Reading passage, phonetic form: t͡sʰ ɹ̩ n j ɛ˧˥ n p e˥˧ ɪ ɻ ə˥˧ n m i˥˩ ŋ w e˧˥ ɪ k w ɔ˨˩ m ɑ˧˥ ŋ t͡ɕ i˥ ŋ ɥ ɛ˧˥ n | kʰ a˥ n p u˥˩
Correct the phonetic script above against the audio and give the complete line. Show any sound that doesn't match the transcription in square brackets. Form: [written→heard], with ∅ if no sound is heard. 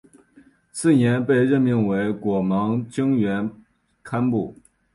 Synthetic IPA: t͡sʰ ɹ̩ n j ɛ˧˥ n p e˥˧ ɪ ɻ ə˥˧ n m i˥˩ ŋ w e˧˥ ɪ k w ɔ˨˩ m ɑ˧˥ ŋ t͡ɕ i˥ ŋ ɥ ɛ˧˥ n | kʰ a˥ n p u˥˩